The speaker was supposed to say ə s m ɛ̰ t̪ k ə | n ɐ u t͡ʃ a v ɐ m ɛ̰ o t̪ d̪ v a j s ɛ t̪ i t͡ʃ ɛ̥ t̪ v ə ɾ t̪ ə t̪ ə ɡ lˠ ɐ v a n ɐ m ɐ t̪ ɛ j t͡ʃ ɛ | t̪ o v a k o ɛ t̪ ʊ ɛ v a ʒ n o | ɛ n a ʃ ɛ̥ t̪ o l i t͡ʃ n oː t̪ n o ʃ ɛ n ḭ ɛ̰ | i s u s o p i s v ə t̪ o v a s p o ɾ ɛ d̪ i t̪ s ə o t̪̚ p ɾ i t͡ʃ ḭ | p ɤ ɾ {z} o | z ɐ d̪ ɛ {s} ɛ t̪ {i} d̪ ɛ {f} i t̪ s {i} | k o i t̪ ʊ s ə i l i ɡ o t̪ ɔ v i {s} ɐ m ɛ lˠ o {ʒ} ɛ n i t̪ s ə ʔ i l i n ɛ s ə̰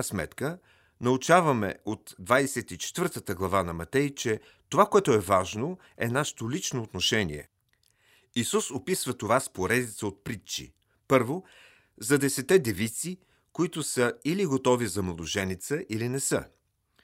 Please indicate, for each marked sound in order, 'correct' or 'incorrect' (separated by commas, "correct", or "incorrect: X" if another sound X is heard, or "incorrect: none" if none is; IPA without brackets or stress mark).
incorrect: v, correct, incorrect: ɛ, incorrect: v, correct, incorrect: z, correct